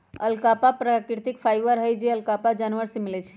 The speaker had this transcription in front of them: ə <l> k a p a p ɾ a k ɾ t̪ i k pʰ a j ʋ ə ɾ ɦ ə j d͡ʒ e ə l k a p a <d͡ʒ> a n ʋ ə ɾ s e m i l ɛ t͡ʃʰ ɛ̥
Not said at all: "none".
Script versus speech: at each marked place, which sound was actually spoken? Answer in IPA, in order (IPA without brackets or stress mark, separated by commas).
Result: l, d͡ʒ